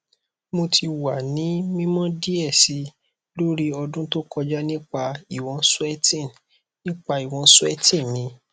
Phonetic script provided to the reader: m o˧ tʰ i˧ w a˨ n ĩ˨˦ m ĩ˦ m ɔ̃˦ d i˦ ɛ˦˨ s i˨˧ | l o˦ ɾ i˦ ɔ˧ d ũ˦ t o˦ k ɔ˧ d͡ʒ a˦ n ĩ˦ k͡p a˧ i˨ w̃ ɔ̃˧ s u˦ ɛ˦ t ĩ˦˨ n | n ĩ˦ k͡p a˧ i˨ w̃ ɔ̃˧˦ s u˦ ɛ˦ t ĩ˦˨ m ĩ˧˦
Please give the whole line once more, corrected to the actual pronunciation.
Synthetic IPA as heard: m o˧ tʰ i˧ w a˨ n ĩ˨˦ m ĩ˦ m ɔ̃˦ d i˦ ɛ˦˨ s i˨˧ | l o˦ ɾ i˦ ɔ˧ d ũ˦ t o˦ k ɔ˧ d͡ʒ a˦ n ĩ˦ k͡p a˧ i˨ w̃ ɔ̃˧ s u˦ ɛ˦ t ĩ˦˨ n | n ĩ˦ k͡p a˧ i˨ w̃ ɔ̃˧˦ s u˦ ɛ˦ t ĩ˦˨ m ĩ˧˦